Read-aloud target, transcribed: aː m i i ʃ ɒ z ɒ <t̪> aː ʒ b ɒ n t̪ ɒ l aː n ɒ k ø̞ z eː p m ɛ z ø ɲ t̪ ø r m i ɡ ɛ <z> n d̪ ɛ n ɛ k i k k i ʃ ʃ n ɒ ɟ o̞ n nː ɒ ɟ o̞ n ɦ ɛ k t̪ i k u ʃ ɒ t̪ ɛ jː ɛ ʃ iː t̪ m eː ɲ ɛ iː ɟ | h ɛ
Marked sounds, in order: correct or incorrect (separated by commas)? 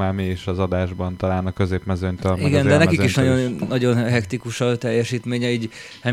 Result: incorrect, incorrect